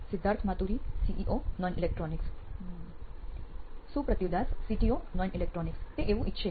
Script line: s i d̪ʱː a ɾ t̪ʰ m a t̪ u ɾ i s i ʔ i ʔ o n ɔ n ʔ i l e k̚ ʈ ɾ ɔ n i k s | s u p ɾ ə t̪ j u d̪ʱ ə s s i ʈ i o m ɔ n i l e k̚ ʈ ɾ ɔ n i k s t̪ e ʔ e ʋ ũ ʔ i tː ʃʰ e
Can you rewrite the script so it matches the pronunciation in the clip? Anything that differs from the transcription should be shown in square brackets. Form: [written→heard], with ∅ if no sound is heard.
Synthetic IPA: s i d̪ʱː a ɾ t̪ʰ m a t̪ u ɾ i s i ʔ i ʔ o n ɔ n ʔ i l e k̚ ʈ ɾ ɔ n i k s | s u p ɾ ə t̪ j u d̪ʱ [ə→a] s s i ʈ i o [m→n] ɔ n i l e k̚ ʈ ɾ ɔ n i k s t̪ e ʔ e ʋ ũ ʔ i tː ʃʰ e